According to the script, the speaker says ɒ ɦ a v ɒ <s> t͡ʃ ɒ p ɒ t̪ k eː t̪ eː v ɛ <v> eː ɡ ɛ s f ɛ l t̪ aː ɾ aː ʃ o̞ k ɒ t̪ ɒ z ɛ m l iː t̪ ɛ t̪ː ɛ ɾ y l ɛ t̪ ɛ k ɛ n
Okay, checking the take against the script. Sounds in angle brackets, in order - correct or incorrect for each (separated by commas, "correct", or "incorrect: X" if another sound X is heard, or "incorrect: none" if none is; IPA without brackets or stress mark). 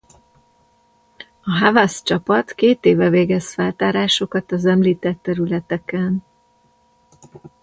correct, correct